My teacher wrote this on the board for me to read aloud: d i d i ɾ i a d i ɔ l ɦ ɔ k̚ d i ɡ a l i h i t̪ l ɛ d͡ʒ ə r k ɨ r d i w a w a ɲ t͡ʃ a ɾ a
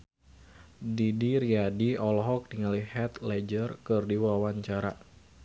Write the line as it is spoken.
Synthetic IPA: d i d i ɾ i a d i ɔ l ɦ ɔ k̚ d i ŋ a l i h ɛ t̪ l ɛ d͡ʒ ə r k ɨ r d i w a w a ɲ t͡ʃ a ɾ a